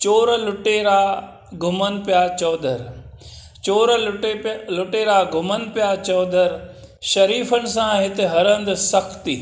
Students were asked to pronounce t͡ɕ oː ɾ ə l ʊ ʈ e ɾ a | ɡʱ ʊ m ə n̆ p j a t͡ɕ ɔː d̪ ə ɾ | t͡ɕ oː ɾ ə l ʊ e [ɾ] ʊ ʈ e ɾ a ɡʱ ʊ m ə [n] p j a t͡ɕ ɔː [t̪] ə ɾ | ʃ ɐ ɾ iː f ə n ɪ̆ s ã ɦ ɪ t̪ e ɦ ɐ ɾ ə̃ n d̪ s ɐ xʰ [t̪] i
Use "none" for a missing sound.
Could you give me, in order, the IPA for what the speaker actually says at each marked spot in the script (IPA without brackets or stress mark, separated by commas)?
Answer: l, n, d̪, t̪